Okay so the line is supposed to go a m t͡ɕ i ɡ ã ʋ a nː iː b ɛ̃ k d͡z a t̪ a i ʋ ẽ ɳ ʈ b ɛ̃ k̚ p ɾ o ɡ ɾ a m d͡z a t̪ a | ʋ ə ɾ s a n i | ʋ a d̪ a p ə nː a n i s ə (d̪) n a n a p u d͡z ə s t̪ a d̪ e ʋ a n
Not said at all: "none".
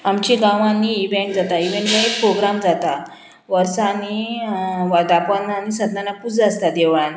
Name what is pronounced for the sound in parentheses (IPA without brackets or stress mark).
d̪